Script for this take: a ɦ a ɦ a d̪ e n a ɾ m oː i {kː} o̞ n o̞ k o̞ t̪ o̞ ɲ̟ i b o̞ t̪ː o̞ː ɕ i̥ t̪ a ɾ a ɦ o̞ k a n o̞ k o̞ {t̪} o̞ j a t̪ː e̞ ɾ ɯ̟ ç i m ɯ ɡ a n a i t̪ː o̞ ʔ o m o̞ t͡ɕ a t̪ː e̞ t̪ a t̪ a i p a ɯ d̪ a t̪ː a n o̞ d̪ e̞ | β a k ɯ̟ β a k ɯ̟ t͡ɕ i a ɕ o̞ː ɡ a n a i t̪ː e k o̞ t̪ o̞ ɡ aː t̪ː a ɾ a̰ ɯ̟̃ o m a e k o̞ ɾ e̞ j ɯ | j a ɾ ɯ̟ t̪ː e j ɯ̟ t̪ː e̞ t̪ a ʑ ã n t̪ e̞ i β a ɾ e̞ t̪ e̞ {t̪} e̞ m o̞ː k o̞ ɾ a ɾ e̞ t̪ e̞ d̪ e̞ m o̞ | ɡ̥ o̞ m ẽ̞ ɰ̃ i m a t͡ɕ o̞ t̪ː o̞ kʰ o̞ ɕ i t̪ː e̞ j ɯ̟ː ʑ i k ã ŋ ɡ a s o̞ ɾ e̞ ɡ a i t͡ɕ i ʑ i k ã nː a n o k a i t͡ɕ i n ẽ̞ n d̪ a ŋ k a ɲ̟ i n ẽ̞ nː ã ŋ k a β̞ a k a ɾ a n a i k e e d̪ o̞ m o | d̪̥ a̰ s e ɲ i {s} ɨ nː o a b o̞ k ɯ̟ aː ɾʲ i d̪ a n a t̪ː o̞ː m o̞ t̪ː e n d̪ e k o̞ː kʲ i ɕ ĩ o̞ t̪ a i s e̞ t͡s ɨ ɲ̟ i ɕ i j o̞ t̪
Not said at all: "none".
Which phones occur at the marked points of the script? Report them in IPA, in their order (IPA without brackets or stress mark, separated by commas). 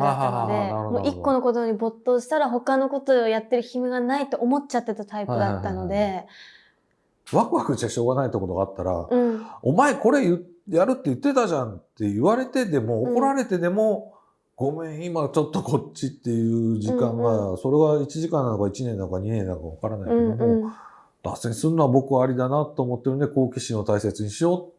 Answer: kː, t̪, d̪, s